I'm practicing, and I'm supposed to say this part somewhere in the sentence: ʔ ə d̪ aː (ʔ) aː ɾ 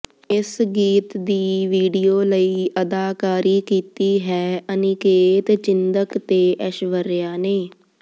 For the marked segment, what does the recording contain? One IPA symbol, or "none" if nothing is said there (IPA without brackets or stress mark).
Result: k